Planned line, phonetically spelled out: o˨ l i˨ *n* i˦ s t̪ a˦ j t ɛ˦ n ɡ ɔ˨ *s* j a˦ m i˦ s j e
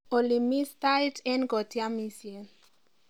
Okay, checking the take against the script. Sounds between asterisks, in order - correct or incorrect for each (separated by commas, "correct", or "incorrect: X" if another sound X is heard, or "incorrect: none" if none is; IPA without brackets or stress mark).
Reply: incorrect: m, incorrect: t